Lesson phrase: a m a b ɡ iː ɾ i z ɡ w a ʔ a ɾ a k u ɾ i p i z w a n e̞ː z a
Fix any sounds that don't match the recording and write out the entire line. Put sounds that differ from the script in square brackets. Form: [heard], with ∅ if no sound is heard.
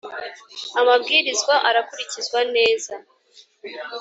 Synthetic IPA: a m a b ɡ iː ɾ i z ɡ w a ʔ a ɾ a k u ɾ i [c] i z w a n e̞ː z a